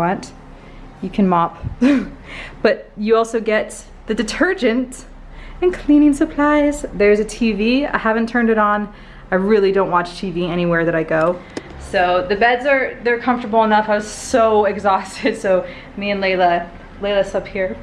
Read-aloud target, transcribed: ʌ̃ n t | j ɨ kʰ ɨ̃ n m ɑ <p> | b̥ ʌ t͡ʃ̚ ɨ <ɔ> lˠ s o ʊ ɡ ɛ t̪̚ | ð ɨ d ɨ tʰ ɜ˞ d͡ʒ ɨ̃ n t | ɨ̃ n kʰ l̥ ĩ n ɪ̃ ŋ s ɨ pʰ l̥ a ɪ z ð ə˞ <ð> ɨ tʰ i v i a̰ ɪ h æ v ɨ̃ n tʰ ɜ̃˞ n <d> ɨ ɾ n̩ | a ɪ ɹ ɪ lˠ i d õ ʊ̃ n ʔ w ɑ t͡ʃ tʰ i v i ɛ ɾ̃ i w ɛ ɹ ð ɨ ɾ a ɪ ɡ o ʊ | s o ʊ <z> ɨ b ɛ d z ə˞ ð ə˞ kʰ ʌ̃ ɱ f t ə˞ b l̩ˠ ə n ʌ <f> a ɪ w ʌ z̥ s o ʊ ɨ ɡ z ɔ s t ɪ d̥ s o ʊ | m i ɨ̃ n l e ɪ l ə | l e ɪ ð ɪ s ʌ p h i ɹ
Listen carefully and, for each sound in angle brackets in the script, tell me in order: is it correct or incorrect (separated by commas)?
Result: correct, correct, incorrect, correct, incorrect, correct